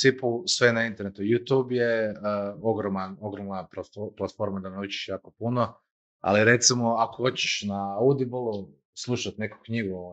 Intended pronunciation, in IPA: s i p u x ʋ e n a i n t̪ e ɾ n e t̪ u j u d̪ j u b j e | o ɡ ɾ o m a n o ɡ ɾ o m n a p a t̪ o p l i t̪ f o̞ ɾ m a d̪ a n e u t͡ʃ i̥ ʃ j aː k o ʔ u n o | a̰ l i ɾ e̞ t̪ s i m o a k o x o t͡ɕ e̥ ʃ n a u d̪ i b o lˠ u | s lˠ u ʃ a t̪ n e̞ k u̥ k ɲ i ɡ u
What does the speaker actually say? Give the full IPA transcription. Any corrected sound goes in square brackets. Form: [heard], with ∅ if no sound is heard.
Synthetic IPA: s i p u [s] ʋ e n a i n t̪ e ɾ n e t̪ u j u [t̪] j u b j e | o ɡ ɾ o m a n o ɡ ɾ o m n a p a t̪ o p l [a] t̪ f o̞ ɾ m a d̪ a n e u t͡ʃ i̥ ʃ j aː k o [p] u n o | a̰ l i ɾ e̞ t̪ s i m o a k o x o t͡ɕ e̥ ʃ n a u d̪ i b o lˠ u | s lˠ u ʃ a t̪ n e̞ k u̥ k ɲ i ɡ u